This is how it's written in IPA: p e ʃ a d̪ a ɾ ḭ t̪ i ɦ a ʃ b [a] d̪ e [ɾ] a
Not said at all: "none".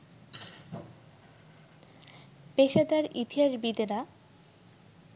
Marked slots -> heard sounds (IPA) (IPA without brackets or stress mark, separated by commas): i, ɾ